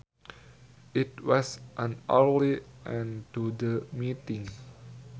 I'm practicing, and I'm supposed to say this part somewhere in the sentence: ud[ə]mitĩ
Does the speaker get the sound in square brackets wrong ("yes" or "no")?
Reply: no